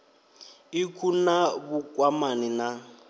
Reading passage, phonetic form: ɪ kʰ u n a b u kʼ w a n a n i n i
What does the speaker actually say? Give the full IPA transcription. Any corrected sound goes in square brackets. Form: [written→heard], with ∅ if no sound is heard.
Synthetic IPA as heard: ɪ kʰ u n a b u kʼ w a [n→m] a n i n [i→a]